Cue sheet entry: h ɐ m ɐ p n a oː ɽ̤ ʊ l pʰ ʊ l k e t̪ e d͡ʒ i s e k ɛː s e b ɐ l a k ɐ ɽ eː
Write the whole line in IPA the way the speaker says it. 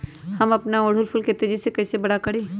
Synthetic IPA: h ɐ m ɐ p n a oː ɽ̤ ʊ l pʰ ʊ l k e t̪ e d͡ʒ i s e k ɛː s e b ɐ ɽ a k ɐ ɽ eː